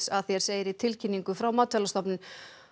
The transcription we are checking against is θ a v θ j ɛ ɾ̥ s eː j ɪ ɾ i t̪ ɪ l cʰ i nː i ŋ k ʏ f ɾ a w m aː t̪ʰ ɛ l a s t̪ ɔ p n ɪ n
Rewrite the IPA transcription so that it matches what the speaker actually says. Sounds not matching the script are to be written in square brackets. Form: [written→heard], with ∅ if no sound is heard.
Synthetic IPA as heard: [θ→s] a [v→ð] θ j ɛ ɾ̥ s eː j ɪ ɾ i [t̪→t̪ʰ] ɪ l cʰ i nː i ŋ k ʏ f ɾ a w m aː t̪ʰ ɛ l a s t̪ ɔ p n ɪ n